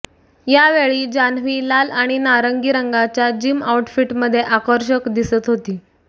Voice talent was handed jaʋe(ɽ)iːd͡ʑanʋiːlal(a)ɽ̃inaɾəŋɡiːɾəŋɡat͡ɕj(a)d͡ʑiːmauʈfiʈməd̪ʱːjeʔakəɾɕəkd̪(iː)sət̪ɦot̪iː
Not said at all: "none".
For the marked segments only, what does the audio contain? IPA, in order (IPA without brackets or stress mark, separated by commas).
ɭ, a, a, i